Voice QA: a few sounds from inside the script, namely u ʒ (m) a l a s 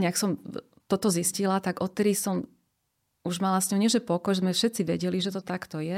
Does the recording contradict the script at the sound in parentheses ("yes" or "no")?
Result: no